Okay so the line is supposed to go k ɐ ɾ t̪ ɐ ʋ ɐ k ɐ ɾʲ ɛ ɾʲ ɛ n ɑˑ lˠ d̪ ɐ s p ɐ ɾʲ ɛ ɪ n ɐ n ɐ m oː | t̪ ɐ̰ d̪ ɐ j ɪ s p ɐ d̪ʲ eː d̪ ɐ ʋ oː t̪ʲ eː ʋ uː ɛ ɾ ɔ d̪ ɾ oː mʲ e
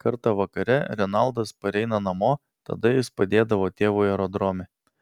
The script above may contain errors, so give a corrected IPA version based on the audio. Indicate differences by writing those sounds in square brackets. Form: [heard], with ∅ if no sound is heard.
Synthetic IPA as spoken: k ɐ ɾ t̪ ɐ ʋ ɐ k ɐ ɾʲ ɛ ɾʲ ɛ n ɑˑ lˠ d̪ ɐ s p ɐ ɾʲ ɛ ɪ n ɐ n ɐ m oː | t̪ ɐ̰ d̪ ɐ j ɪ s p ɐ d̪ʲ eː d̪ ɐ ʋ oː t̪ʲ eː ʋ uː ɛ ɾ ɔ d̪ ɾ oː mʲ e